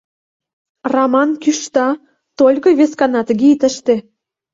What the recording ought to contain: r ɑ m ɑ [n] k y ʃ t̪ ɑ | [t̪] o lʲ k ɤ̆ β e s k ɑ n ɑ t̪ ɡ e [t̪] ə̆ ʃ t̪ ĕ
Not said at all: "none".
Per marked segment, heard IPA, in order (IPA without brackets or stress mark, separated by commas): n, t̪, t̪